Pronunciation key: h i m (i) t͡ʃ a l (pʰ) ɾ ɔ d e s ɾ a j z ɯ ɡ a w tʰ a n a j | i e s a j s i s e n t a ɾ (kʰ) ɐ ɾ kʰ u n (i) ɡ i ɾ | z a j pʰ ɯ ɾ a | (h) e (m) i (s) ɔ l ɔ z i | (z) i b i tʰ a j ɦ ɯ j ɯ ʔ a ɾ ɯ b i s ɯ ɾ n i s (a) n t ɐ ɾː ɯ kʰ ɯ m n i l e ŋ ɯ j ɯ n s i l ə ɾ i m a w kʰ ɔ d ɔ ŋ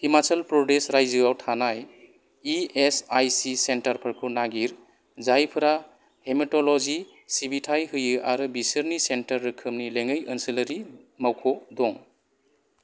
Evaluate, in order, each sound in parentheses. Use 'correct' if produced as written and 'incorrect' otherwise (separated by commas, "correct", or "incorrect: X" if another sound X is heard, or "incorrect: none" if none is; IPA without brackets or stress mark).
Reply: incorrect: a, incorrect: p, incorrect: pʰ, incorrect: a, correct, correct, incorrect: t, incorrect: s, incorrect: e